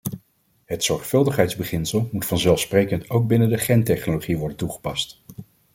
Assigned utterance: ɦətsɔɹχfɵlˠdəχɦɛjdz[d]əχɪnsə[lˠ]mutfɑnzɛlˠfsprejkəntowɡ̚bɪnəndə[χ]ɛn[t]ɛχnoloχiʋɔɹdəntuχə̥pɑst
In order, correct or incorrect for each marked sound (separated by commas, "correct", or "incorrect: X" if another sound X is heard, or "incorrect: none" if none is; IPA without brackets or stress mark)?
incorrect: b, correct, correct, correct